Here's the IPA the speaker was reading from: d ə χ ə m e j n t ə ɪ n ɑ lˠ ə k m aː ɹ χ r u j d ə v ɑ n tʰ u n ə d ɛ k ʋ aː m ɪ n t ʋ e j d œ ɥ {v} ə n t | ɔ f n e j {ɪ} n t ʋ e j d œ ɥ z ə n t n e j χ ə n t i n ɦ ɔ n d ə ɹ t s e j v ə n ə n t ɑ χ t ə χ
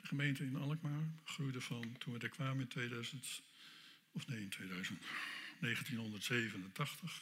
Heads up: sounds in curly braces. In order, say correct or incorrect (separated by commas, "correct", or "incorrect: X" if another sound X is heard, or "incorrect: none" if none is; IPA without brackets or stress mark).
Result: incorrect: z, correct